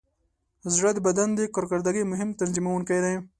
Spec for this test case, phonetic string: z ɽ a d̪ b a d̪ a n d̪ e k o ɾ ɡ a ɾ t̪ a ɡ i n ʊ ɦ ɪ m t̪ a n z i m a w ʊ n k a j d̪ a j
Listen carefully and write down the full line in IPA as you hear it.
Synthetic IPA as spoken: z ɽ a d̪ b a d̪ a n d̪ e k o ɾ k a ɾ d̪ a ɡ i m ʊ ɦ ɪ m t̪ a n z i m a w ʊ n k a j d̪ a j